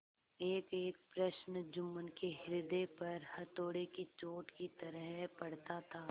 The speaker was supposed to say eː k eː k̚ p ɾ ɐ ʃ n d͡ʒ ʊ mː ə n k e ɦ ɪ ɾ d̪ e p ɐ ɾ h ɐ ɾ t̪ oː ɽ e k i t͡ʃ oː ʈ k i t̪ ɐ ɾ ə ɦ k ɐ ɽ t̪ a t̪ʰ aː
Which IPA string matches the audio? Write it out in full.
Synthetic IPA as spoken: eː k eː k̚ p ɾ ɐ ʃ n d͡ʒ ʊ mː ə n k e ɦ ɪ ɾ d̪ e p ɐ ɾ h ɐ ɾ t̪ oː ɽ e k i t͡ʃ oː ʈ k i t̪ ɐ ɾ ə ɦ p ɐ ɽ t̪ a t̪ʰ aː